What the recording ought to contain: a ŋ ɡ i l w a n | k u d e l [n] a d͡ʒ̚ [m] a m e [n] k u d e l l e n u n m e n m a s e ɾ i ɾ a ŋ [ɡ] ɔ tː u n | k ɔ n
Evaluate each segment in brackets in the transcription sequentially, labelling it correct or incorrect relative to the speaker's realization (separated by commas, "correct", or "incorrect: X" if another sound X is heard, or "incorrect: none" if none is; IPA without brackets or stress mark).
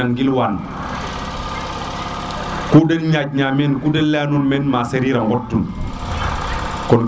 incorrect: ɲ, incorrect: ɲ, correct, correct